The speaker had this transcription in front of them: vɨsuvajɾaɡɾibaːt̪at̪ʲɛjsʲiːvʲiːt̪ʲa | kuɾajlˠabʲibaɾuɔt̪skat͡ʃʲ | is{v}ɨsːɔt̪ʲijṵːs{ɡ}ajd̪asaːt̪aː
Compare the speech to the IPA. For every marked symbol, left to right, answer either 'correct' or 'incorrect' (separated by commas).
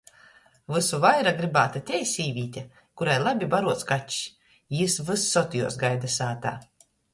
correct, correct